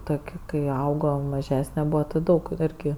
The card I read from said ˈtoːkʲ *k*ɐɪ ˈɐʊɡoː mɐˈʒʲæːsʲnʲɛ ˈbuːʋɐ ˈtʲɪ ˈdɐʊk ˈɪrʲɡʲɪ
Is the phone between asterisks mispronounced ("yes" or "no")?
no